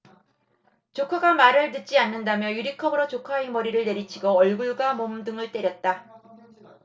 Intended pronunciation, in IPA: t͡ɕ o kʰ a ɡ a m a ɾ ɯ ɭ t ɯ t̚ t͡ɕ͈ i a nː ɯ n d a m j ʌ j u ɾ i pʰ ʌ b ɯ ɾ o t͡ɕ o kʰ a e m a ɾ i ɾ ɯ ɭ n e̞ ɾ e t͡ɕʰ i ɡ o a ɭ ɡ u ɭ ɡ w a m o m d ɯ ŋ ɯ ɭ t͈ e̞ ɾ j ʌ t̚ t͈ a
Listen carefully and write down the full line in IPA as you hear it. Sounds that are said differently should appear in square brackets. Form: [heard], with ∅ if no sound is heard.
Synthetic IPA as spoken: t͡ɕ o kʰ a ɡ a m a ɾ ɯ ɭ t ɯ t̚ t͡ɕ͈ i a nː ɯ n d a m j ʌ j u ɾ i [kʰ] ʌ b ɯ ɾ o t͡ɕ o kʰ a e m [ʌ] ɾ i ɾ ɯ ɭ n e̞ ɾ [i] t͡ɕʰ i ɡ o [ʌ] ɭ ɡ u ɭ ɡ w a m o m d ɯ ŋ ɯ ɭ t͈ e̞ ɾ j ʌ t̚ t͈ a